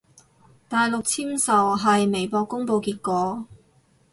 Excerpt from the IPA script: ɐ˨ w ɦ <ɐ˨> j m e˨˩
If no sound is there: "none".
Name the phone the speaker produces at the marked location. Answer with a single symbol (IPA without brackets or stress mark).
ɐ˨